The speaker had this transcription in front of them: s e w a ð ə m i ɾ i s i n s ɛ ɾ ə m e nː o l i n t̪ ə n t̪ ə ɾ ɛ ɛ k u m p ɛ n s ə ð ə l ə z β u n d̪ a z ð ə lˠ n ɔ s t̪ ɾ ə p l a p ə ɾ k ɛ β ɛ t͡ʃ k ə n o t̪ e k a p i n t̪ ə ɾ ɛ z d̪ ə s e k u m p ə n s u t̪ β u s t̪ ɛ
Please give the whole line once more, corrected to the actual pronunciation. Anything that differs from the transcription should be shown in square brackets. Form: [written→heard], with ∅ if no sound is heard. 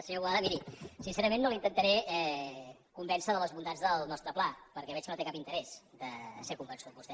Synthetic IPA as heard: s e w a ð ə m i ɾ i s i n s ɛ ɾ ə m e nː o l i n t̪ ə n t̪ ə ɾ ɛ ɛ k u m [p→b] ɛ n s ə ð ə l ə z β u n d̪ a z ð ə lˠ n ɔ s t̪ ɾ ə p l a p ə ɾ k ɛ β ɛ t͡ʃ k ə n o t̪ e k a p i n t̪ ə ɾ ɛ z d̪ ə s e k u m [p→b] ə n s u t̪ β u s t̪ ɛ